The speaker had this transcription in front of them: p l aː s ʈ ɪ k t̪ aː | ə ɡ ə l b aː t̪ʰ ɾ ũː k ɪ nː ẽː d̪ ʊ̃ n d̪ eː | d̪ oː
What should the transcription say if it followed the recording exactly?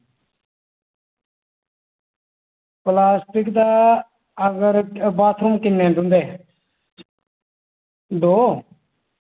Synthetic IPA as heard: p l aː s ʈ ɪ k d̪ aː | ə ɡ ə ɾ b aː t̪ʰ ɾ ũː k ɪ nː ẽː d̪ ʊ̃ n d̪ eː | d̪ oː